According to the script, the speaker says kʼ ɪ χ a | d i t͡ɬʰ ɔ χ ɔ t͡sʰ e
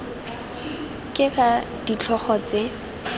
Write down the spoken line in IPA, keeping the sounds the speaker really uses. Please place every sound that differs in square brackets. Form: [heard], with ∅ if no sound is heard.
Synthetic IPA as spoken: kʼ ɪ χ a | d i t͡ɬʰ ɔ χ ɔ [t͡s] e

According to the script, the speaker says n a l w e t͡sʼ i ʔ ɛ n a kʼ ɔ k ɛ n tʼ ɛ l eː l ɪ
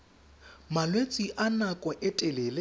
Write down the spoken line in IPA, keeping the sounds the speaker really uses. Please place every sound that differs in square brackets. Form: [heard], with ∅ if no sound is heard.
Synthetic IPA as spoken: [m] a l w e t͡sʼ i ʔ [a] n a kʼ ɔ [ʔ] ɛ [∅] tʼ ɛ l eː l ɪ

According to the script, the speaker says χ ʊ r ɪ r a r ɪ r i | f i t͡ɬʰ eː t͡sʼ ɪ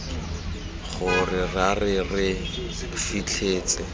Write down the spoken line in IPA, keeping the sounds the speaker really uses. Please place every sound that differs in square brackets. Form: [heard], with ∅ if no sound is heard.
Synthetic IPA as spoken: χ ʊ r ɪ r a r ɪ r [ɪ] | f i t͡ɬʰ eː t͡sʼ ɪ

